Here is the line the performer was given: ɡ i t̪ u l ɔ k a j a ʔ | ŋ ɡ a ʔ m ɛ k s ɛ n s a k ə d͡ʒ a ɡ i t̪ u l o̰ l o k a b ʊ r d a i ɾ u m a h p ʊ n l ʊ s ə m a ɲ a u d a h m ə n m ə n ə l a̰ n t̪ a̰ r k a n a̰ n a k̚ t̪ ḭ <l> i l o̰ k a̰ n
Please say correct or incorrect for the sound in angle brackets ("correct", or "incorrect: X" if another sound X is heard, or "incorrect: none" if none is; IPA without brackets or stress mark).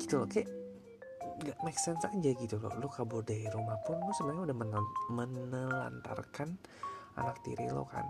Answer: incorrect: ɾ